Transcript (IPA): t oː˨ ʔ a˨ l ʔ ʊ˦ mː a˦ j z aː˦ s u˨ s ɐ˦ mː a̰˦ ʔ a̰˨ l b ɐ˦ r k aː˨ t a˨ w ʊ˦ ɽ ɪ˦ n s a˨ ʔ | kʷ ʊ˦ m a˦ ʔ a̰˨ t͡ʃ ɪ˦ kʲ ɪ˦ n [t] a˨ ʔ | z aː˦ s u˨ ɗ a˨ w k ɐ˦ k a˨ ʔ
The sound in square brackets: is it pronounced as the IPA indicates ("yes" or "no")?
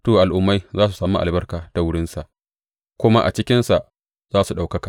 no